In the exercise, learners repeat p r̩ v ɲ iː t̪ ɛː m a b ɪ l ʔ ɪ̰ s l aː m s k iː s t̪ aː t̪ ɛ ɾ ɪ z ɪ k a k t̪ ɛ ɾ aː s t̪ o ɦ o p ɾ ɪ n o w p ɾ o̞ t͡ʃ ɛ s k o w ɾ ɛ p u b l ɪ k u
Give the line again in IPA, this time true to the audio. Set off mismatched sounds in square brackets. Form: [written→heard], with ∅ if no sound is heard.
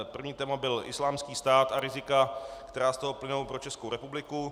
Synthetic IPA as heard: p r̩ v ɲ iː t̪ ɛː m a b ɪ l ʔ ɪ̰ s l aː m s k iː s t̪ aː t̪ [ɛ→a] ɾ ɪ z ɪ k a k t̪ ɛ ɾ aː s t̪ o ɦ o p [ɾ→l] ɪ n o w p ɾ o̞ t͡ʃ ɛ s k o w ɾ ɛ p u b l ɪ k u